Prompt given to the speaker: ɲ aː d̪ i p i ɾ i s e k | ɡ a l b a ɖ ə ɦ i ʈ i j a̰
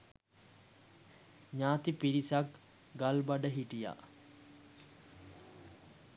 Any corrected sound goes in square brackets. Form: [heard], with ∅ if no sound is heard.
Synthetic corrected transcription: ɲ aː [t̪] i p i ɾ i s [a] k | ɡ a l b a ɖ ə ɦ i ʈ i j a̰